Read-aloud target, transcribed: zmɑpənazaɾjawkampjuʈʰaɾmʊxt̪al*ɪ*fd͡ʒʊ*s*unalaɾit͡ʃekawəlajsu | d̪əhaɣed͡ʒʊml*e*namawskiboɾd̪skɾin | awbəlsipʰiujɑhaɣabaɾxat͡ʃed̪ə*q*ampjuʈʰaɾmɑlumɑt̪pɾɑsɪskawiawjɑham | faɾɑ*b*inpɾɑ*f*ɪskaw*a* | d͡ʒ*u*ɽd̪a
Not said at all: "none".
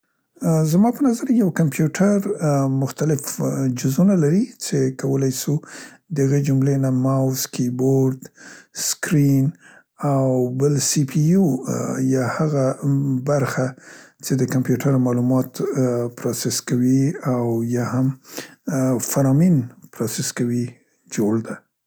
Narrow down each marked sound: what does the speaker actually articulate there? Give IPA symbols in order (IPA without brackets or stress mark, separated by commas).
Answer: ɪ, z, e, k, m, s, i, o